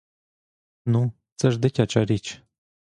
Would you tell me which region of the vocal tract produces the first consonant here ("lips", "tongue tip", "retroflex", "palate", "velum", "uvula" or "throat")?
tongue tip